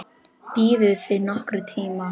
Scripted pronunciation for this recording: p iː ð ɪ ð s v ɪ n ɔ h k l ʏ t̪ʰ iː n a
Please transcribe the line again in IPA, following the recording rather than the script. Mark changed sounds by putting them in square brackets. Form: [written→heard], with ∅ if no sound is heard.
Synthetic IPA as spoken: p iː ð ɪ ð [s→θ] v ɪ n ɔ h k [l→ɾ] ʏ t̪ʰ iː [n→m] a